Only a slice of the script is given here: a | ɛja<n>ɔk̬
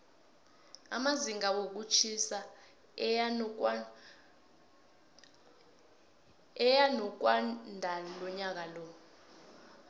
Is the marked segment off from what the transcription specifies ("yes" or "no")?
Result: no